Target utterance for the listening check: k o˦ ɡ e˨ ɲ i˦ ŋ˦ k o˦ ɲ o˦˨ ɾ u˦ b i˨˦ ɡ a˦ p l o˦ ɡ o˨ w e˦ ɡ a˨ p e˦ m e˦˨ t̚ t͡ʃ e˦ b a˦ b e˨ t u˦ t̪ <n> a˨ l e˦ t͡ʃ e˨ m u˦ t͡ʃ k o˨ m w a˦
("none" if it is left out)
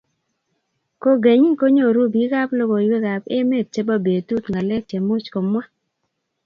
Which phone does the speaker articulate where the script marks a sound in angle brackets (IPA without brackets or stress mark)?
ŋ